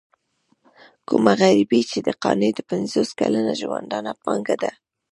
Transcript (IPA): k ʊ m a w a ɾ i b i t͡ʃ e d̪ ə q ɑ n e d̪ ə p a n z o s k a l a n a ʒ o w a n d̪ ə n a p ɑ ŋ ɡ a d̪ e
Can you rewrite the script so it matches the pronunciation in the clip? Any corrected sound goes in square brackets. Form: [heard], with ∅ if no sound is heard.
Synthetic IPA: k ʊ m a [ɣ] a ɾ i b i t͡ʃ e d̪ ə q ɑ n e d̪ ə p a n z o s k a l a n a ʒ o w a n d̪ [ɑ] n a p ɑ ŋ ɡ a d̪ [a]